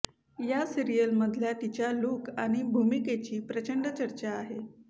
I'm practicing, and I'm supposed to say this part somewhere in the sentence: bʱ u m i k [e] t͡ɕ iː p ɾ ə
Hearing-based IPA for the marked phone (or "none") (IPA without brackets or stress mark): e